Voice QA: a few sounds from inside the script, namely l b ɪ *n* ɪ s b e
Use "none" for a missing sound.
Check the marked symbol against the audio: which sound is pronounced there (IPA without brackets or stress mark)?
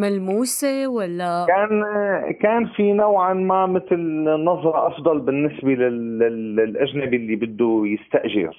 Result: nː